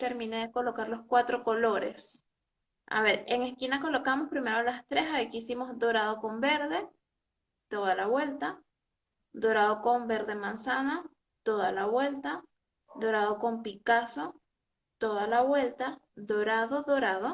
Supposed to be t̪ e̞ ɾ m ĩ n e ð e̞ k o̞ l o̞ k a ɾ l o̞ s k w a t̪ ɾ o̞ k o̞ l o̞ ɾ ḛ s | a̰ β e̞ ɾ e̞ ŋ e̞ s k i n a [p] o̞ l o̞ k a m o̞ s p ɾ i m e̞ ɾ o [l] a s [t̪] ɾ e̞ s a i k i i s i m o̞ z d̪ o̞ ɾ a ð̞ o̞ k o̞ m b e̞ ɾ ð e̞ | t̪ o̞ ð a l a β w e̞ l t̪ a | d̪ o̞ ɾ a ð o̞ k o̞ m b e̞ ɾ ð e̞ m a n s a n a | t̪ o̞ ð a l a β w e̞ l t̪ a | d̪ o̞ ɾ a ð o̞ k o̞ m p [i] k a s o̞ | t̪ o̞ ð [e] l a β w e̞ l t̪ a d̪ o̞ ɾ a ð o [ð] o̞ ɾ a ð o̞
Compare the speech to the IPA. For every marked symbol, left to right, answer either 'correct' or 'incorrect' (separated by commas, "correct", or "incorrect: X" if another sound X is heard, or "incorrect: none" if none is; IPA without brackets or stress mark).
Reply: incorrect: k, correct, correct, correct, incorrect: a, correct